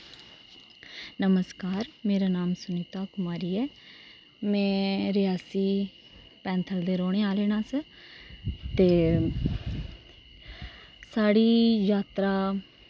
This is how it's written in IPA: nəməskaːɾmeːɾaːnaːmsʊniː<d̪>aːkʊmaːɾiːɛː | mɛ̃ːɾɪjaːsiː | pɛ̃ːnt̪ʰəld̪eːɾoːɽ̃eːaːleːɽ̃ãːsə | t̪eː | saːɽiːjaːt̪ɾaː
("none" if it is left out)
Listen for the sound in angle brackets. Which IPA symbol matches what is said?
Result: t̪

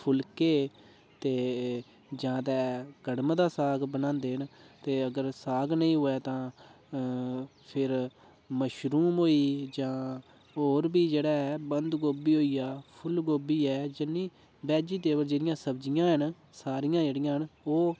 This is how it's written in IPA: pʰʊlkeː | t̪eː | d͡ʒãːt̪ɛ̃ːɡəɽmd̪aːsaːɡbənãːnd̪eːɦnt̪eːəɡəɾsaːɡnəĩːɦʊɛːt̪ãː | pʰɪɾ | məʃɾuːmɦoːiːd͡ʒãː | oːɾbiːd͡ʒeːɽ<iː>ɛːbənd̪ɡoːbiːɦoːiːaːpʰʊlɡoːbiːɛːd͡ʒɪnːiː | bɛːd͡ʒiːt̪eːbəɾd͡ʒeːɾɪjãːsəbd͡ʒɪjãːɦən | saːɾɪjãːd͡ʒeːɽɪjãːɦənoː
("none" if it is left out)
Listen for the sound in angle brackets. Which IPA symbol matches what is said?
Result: aː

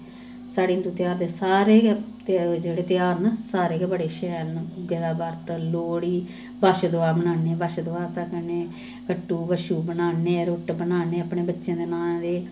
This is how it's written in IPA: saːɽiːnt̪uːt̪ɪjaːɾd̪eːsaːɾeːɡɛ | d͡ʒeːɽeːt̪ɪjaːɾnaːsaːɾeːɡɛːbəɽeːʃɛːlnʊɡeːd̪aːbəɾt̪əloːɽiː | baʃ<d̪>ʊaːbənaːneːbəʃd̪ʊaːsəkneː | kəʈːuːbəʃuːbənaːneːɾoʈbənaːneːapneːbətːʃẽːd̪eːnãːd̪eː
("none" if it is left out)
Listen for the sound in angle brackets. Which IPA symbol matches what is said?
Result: d̪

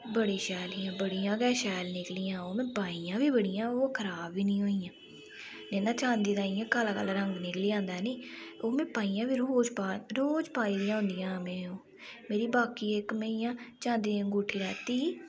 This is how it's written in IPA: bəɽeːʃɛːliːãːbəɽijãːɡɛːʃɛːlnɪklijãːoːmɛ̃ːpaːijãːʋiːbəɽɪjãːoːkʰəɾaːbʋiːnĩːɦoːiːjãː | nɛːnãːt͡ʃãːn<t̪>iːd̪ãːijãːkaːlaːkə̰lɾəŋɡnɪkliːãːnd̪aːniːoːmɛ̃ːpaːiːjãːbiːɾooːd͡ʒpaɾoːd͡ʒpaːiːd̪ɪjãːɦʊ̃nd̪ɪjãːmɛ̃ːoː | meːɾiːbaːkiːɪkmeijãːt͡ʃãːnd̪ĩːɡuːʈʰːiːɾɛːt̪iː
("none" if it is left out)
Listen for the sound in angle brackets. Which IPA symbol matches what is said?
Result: d̪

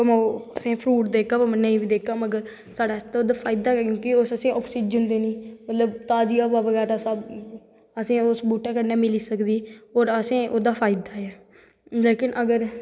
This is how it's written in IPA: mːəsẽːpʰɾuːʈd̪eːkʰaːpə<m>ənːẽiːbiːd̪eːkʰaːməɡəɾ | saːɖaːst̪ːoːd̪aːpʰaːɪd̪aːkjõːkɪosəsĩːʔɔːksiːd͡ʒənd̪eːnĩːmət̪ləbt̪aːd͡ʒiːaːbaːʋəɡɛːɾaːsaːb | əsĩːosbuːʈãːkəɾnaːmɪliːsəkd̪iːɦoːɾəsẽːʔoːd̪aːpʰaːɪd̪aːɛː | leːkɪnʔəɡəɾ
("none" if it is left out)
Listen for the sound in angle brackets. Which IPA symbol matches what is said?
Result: m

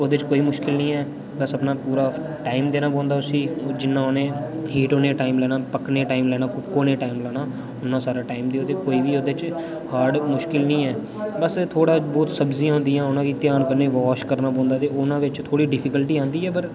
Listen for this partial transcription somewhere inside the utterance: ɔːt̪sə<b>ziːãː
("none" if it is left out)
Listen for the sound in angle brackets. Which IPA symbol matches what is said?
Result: b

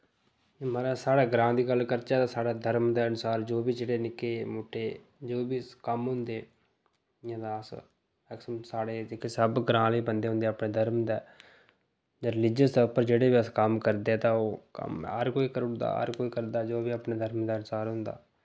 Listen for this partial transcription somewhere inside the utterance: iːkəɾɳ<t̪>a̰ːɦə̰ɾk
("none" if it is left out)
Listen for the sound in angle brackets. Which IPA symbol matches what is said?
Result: d̪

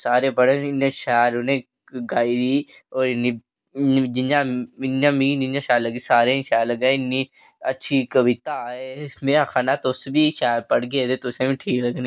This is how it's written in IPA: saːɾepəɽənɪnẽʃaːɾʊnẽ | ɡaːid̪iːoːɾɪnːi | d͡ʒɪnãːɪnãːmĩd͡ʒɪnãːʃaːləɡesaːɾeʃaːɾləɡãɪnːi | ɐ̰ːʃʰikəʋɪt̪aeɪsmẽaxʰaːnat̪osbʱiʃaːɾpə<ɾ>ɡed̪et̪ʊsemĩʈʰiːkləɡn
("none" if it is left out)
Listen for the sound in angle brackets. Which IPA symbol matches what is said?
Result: ɽ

